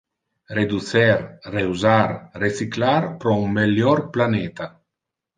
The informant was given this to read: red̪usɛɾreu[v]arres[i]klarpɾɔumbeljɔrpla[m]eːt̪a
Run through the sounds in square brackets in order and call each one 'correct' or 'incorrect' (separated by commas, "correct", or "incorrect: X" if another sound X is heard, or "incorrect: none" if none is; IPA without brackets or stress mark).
incorrect: z, correct, incorrect: n